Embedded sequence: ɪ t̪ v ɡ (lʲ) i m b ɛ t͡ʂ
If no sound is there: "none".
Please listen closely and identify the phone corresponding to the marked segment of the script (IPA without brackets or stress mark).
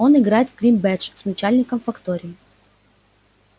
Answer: ɾʲ